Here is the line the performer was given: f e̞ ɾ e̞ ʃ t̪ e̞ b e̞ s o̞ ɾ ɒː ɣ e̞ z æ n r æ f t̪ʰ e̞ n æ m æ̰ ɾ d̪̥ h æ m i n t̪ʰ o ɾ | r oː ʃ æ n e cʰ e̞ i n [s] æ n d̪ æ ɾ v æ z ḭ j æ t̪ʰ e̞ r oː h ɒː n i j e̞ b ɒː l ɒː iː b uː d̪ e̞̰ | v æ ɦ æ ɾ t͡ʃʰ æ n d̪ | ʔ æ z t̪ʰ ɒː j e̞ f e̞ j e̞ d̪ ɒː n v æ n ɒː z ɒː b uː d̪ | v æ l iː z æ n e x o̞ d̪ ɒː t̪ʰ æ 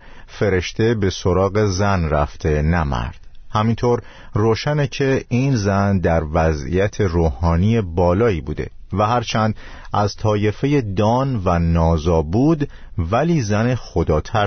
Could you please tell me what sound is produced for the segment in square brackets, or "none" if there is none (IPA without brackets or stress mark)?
z